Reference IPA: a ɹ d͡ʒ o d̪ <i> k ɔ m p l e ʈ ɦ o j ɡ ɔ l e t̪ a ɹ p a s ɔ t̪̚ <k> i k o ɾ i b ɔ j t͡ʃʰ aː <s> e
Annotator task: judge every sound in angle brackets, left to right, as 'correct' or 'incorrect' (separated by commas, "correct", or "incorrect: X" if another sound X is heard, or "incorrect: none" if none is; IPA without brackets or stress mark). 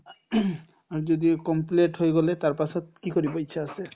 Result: correct, correct, correct